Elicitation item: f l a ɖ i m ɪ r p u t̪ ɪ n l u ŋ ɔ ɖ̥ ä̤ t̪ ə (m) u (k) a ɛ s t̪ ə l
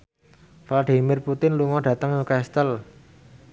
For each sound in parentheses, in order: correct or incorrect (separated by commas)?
incorrect, correct